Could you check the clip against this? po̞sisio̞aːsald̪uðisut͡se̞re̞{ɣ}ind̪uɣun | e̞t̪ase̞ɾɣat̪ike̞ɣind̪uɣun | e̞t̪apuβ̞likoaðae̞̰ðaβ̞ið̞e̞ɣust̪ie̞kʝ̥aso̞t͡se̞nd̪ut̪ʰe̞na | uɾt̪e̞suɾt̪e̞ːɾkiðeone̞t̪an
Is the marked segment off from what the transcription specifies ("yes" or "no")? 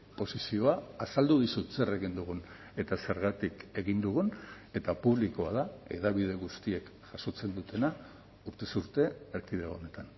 no